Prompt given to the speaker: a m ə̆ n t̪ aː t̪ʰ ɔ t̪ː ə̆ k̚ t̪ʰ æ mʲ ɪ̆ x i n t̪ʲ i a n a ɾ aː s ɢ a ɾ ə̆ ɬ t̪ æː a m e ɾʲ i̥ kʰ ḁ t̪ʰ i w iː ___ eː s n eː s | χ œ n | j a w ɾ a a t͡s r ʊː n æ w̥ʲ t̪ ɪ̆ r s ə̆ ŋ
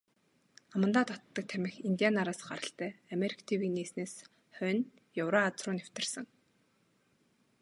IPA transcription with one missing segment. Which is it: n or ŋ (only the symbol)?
n